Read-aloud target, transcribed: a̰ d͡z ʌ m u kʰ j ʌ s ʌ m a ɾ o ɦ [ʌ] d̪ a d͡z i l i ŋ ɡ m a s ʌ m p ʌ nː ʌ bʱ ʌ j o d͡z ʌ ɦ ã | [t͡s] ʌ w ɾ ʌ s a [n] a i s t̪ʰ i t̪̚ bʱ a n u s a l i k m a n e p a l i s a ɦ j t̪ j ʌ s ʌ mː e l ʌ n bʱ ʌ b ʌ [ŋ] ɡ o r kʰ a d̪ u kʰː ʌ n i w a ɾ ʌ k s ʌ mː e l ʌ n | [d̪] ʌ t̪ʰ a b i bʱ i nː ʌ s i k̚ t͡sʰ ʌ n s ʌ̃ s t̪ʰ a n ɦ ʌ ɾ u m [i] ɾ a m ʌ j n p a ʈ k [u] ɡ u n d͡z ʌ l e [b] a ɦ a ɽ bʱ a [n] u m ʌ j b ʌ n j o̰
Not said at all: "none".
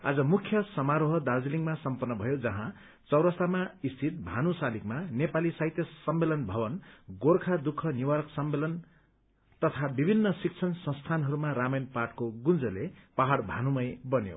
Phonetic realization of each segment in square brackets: ʌ, t͡s, m, n, t̪, a, o, p, n

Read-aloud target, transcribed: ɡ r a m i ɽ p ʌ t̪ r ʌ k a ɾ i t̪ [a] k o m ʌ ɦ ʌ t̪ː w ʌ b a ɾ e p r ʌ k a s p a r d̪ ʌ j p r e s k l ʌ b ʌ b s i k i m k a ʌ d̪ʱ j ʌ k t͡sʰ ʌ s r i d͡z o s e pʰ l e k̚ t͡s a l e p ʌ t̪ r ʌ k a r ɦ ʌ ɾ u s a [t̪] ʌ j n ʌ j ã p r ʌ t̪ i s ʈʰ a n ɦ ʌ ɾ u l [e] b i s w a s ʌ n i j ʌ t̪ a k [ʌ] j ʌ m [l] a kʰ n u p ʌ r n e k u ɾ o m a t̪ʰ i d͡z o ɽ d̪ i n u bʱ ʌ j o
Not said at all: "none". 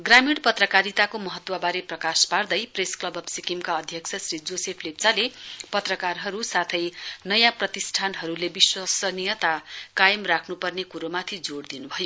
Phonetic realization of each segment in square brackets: a, t̪ʰ, e, a, r

